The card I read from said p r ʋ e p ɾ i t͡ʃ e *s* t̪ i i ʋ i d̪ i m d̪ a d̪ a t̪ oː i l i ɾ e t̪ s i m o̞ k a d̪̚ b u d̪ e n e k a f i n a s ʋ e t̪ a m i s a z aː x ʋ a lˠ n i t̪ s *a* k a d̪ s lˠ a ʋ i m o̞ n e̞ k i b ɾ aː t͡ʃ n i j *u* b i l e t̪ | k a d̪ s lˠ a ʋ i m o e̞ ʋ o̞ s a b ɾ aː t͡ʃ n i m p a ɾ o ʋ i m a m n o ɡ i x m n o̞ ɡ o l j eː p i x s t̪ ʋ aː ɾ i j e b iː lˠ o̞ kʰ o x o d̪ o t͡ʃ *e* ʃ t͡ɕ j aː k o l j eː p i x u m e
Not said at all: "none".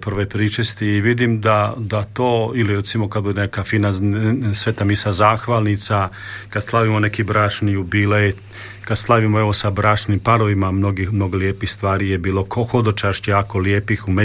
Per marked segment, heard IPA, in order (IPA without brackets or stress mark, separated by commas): s, a, u, a